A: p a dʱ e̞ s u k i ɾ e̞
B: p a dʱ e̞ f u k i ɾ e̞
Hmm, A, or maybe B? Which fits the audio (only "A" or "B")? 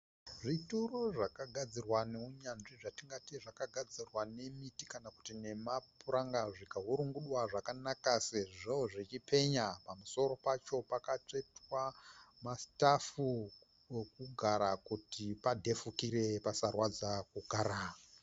B